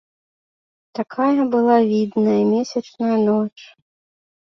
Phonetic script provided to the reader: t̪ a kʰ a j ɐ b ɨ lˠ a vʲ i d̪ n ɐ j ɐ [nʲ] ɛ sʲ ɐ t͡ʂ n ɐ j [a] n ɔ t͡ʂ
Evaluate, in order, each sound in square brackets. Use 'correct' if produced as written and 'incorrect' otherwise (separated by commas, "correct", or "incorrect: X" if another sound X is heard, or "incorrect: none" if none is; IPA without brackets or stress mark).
incorrect: mʲ, incorrect: ɐ